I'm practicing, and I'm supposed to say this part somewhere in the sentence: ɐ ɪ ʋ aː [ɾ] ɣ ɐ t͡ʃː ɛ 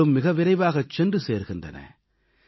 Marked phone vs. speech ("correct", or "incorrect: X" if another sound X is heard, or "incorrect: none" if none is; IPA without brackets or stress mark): incorrect: none